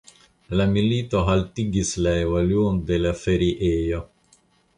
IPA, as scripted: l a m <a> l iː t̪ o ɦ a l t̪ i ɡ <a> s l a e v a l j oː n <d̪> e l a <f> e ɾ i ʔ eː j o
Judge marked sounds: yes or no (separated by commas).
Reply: no, no, yes, yes